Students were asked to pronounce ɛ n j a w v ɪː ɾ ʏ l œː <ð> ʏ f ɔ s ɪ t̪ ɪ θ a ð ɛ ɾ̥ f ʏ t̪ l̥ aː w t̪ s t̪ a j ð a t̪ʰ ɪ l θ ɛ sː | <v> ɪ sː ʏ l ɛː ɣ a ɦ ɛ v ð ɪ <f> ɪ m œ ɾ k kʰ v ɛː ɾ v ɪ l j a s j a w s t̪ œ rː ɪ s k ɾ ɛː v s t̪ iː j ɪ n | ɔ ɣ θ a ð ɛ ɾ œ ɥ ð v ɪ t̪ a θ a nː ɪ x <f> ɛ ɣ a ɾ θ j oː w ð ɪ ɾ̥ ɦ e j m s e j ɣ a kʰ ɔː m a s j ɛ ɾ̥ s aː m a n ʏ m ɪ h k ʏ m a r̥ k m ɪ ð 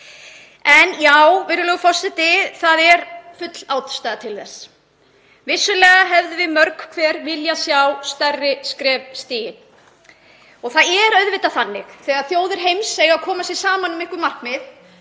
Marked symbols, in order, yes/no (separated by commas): no, yes, no, no